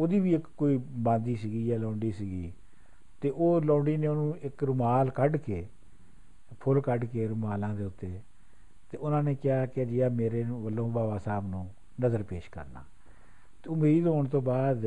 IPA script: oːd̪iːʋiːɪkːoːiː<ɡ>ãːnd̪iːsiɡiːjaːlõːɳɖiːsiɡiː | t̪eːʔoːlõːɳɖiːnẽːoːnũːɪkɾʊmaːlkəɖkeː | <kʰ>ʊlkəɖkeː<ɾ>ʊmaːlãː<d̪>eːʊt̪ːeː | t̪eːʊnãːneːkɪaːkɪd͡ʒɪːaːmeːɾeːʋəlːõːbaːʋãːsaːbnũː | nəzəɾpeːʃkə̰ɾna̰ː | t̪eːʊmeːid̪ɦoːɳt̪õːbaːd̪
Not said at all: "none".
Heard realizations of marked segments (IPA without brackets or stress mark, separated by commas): b, pʰ, ɾ, d̪